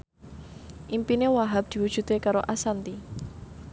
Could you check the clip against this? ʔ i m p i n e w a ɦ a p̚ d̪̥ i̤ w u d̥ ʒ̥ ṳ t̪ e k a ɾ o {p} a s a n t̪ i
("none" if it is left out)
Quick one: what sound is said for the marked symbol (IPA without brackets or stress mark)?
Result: ʔ